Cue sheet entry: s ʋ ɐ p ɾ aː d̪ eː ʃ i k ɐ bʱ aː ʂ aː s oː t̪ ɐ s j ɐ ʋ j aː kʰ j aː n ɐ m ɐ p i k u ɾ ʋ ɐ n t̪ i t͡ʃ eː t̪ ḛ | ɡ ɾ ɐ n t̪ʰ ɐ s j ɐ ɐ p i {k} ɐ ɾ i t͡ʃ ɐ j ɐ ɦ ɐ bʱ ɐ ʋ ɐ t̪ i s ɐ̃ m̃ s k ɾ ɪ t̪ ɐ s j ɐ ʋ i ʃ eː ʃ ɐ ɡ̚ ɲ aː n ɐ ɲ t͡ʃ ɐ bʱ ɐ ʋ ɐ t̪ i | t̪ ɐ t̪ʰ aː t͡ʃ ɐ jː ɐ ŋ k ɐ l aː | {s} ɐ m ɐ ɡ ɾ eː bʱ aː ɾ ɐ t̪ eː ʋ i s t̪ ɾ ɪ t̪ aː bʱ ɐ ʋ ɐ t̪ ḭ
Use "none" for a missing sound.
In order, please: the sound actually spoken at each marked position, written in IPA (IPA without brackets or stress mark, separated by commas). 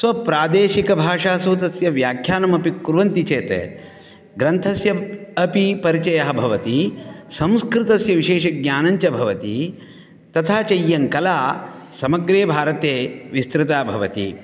p, s